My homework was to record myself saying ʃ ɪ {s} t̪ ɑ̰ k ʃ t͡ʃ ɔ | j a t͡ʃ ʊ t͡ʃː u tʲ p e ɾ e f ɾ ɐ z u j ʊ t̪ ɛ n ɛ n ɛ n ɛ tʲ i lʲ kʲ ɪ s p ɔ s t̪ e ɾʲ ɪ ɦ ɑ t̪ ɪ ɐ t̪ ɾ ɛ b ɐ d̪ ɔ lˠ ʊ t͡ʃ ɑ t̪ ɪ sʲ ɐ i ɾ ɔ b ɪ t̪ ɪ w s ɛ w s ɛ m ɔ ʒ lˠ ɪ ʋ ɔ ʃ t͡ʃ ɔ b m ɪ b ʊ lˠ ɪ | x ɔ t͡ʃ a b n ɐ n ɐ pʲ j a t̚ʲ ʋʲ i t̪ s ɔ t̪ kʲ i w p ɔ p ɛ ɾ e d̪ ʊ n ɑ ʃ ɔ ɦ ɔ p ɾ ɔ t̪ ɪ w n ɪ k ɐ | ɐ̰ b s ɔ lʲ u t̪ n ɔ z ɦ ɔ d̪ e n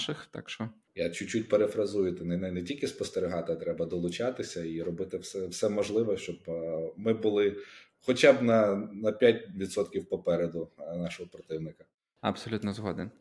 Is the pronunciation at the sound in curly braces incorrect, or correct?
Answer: incorrect